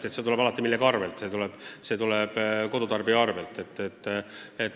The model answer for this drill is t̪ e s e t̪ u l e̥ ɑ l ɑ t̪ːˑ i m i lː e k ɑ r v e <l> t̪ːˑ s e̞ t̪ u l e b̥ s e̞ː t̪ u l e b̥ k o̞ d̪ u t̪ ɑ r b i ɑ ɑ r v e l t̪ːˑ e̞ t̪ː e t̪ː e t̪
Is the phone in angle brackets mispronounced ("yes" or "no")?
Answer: no